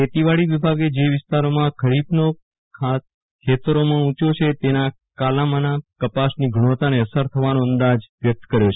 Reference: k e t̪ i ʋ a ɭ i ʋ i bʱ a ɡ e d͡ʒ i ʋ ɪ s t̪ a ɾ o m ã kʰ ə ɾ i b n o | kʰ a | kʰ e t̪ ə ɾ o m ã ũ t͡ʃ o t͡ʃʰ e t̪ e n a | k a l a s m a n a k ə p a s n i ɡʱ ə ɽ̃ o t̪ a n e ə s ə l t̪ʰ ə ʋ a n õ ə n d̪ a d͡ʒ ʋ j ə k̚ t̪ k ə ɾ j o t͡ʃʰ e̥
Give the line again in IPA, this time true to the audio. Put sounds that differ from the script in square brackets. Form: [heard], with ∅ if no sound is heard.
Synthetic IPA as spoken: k e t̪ i ʋ a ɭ i ʋ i bʱ a ɡ e d͡ʒ [e] ʋ ɪ s t̪ a ɾ o m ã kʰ ə ɾ i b n o | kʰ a | kʰ e t̪ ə ɾ o m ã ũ t͡ʃ o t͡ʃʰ e t̪ e n a | k a l a [∅] m a n a k ə p a s n i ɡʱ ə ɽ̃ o t̪ a n e ə s ə [ɾ] t̪ʰ ə ʋ a n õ ə n d̪ a d͡ʒ ʋ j ə k̚ t̪ k ə ɾ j o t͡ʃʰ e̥